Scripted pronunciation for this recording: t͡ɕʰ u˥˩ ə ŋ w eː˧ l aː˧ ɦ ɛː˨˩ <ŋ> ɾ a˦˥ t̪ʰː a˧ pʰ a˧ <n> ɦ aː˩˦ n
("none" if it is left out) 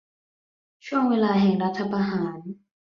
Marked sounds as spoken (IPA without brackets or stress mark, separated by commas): ŋ, none